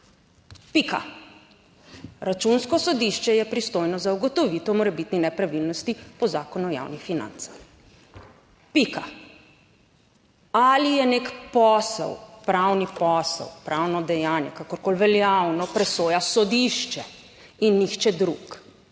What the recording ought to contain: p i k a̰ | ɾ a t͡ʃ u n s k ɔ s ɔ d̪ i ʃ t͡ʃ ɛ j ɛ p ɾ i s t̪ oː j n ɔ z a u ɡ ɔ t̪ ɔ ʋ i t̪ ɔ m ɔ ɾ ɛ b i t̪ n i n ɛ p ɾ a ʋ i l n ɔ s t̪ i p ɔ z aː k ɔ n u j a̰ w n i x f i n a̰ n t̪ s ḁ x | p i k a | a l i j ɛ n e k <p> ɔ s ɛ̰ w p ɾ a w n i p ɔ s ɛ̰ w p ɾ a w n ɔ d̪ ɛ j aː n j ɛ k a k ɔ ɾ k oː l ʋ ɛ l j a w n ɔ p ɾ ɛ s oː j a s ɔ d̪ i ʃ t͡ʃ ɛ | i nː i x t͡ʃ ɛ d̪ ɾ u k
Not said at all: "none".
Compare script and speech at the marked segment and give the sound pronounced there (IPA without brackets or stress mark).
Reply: p